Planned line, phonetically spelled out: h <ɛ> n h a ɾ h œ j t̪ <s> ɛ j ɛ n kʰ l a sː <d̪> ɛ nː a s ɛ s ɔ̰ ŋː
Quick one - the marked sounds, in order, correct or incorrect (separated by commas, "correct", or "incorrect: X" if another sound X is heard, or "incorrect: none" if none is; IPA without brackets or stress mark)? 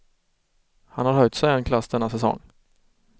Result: incorrect: a, correct, correct